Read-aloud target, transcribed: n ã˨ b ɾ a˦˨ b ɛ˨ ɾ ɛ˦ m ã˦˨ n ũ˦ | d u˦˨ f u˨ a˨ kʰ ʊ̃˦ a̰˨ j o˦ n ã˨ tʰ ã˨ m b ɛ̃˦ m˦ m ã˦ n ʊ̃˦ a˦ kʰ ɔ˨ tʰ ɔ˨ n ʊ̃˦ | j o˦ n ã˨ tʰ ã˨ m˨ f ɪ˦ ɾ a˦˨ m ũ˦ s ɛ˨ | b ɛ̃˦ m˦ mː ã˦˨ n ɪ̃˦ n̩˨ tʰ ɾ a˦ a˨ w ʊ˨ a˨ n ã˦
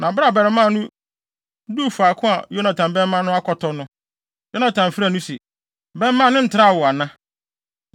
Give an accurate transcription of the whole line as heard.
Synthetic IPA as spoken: n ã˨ b ɾ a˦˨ b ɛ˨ ɾ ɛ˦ m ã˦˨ n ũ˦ | d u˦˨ f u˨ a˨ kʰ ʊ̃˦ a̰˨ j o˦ n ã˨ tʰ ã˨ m b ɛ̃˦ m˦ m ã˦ n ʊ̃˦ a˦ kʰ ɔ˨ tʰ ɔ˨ n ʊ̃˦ | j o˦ n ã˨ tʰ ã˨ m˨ f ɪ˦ ɾ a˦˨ n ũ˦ s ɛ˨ | b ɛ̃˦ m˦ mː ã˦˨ n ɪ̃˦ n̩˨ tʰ ɾ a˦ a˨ w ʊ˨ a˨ n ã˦

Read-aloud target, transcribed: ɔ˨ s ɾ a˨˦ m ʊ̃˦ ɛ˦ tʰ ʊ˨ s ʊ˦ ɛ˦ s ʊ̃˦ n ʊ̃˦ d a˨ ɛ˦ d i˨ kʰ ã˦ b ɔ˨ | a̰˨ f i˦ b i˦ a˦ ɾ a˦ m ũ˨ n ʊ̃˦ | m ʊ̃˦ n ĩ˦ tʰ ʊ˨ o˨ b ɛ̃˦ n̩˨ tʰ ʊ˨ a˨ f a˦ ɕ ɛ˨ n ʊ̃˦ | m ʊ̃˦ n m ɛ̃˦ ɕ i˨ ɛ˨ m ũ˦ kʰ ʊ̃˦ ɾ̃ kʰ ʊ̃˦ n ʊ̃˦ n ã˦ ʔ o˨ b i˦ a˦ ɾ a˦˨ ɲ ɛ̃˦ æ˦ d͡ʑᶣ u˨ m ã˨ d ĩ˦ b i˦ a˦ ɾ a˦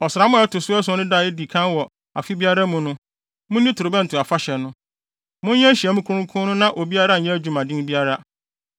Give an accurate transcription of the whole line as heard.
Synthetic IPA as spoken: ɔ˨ s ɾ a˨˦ m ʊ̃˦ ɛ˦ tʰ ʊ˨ s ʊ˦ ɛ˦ s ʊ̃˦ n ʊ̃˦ d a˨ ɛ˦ d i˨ kʰ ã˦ w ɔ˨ | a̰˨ f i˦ b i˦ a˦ ɾ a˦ m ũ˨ n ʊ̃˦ | m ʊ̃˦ n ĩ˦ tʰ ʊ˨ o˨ b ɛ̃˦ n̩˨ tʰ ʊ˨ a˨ f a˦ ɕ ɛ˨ n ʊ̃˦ | m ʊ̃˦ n ɲ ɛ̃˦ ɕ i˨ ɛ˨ m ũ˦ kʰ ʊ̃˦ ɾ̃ kʰ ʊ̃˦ n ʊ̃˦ n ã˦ ʔ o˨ b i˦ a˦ ɾ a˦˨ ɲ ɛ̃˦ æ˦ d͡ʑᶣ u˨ m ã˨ d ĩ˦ b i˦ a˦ ɾ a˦

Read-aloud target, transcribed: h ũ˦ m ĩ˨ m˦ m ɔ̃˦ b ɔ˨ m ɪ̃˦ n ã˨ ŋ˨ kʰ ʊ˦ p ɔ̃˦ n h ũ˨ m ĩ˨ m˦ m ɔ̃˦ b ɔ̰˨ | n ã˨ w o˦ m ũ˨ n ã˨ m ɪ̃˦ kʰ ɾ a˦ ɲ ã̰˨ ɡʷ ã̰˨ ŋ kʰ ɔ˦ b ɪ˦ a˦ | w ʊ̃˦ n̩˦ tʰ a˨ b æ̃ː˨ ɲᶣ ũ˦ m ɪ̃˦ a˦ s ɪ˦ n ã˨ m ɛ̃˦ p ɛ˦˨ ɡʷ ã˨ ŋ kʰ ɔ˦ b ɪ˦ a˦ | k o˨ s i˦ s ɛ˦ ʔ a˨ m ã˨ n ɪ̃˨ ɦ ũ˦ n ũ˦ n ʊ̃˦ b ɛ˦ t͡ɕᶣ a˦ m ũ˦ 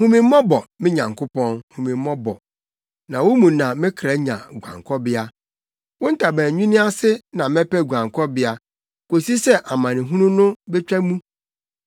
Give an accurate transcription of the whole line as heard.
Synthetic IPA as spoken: h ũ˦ m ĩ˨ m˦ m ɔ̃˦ b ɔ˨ m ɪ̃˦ ɲ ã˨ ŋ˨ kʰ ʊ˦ p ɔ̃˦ n h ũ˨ m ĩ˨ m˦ m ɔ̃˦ b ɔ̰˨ | n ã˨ w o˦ m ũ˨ n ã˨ m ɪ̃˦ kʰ ɾ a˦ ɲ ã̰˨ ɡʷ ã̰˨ ŋ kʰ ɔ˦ b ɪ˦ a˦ | w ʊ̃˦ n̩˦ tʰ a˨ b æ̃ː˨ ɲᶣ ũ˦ n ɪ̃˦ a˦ s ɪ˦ n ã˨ m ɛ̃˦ p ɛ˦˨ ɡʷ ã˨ ŋ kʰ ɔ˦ b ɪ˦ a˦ | k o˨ s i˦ s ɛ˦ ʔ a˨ m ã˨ n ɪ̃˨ ɦ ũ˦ n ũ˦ n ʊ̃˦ b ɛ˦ t͡ɕᶣ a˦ m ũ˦

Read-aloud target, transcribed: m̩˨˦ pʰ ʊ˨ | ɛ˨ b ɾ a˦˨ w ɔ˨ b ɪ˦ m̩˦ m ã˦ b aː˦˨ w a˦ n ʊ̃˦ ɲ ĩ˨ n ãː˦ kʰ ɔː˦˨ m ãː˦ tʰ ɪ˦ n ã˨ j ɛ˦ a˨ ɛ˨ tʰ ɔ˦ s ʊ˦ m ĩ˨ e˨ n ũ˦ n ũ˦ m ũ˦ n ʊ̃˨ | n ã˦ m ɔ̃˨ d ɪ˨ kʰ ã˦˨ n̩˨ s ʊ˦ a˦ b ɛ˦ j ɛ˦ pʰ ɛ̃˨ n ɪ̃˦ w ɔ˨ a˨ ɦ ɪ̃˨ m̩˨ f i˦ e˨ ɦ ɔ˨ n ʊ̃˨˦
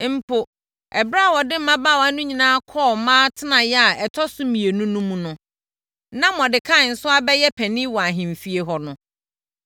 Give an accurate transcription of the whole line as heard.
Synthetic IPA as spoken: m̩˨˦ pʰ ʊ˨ | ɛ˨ b ɾ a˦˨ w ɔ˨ d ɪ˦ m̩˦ m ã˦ b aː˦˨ w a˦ n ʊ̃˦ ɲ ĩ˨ n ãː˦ kʰ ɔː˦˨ m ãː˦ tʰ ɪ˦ n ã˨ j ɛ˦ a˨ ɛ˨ tʰ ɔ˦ s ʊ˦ m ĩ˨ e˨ n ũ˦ n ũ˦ m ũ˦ n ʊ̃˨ | n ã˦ m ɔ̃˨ d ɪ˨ kʰ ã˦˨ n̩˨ s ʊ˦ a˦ b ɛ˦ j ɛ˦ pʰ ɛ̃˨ n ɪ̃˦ w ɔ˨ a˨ ɦ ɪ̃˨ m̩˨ f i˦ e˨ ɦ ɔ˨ n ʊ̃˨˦

